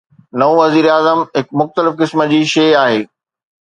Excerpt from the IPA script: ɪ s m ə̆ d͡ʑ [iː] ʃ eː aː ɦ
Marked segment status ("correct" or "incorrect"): correct